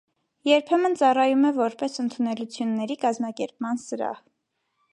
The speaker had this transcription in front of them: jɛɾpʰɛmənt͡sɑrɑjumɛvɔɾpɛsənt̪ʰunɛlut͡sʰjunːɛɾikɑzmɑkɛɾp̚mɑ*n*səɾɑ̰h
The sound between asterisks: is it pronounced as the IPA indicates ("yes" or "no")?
yes